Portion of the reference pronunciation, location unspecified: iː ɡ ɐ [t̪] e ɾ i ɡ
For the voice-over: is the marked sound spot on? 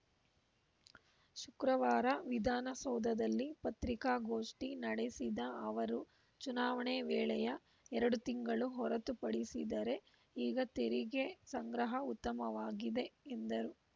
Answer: yes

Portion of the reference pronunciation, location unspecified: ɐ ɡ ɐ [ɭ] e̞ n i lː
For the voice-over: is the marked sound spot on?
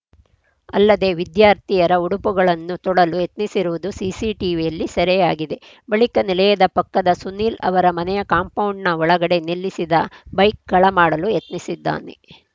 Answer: no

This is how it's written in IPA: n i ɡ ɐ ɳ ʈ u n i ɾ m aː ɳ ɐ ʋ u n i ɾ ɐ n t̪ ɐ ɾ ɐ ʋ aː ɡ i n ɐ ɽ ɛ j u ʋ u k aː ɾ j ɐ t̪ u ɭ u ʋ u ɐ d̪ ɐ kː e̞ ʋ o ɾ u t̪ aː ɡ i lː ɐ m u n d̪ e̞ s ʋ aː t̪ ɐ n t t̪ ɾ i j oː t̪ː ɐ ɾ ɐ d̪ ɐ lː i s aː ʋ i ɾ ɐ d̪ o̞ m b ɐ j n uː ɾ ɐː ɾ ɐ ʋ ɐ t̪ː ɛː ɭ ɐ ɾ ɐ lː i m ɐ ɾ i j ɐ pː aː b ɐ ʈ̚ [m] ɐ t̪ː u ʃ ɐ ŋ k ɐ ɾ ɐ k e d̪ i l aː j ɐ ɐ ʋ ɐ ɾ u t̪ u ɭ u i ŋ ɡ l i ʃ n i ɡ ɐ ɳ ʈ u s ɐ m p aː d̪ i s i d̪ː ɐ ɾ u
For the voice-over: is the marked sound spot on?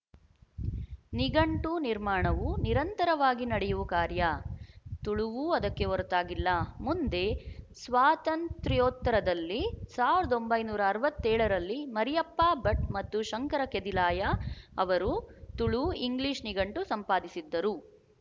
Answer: yes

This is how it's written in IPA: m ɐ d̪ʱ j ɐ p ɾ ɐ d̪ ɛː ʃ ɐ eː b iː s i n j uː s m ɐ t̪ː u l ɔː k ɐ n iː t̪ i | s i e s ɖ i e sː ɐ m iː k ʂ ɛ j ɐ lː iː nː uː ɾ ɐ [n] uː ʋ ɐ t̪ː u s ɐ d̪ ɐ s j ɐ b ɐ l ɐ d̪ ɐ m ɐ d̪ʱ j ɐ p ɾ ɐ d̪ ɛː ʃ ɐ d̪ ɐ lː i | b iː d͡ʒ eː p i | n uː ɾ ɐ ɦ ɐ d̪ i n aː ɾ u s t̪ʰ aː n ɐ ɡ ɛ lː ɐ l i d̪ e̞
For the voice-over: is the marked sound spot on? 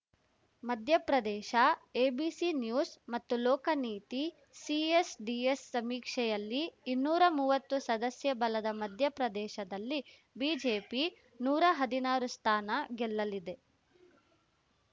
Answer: no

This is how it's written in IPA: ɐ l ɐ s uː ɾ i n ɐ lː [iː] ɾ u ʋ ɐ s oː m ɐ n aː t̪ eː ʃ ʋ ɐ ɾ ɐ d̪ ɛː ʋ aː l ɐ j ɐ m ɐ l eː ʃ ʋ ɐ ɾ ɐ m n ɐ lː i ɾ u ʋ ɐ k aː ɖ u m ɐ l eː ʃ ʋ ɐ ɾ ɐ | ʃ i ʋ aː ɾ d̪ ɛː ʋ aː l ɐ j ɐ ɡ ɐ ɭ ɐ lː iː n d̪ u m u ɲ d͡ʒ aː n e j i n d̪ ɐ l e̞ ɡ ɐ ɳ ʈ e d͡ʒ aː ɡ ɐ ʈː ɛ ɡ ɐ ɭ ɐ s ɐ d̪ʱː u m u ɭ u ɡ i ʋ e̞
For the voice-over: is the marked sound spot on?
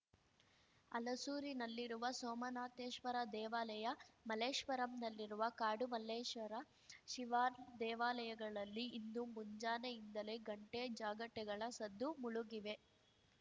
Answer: no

